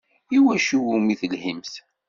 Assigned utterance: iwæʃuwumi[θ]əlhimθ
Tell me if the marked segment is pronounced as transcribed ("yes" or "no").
yes